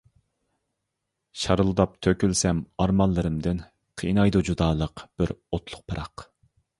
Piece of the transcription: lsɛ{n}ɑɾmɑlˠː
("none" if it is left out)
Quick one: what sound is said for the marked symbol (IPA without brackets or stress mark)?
m